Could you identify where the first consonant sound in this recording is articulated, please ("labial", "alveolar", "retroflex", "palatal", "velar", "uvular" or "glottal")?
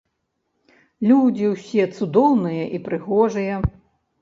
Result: alveolar